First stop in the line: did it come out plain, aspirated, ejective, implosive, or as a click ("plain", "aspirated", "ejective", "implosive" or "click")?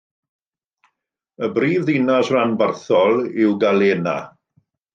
plain